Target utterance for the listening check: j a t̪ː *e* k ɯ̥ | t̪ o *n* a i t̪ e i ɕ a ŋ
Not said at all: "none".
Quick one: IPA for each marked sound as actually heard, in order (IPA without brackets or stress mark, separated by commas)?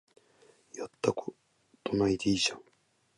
a, n